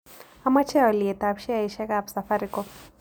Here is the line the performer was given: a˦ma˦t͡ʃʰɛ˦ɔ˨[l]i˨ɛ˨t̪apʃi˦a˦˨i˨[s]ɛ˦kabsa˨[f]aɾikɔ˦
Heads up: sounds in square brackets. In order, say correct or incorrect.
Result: correct, incorrect: ʃ, correct

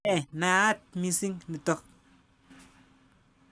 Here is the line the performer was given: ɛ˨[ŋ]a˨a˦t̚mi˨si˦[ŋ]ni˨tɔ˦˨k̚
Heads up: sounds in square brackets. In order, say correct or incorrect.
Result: incorrect: n, correct

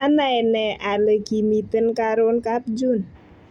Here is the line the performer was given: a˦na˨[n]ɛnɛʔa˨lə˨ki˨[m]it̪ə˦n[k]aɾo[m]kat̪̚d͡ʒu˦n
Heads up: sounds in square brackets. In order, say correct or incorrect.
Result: incorrect: none, correct, correct, incorrect: n

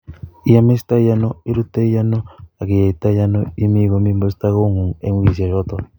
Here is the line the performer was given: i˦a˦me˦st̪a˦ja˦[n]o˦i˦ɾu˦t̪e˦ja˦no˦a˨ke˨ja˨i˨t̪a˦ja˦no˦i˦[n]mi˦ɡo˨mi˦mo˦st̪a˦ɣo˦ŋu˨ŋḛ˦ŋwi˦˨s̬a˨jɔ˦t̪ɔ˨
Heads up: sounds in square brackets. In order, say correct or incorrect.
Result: correct, incorrect: none

